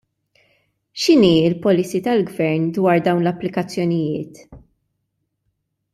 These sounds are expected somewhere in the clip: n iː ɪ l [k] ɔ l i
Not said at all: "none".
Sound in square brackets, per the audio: p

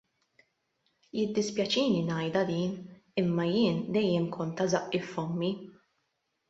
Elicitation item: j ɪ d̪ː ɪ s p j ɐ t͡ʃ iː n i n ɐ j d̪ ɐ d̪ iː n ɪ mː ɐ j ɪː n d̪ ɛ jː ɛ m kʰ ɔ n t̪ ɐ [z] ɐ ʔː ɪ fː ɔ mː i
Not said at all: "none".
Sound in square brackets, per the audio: z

